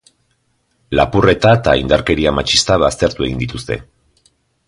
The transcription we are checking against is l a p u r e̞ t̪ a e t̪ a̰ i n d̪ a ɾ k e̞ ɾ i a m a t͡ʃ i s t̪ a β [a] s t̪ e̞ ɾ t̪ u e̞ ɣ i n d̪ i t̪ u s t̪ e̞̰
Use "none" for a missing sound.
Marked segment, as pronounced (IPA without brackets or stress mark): a